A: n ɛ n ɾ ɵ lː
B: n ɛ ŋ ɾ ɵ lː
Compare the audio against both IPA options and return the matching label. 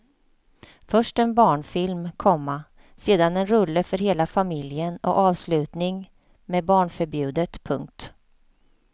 A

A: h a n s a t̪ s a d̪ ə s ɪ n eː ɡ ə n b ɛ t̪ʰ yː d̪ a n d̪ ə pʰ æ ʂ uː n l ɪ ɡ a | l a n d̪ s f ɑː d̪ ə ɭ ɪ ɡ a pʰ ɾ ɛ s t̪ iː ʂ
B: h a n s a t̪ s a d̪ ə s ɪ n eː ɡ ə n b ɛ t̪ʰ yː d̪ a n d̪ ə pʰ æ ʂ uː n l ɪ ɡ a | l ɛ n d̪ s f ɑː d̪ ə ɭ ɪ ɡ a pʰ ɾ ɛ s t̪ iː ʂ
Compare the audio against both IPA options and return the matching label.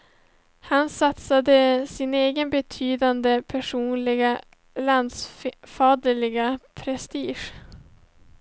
A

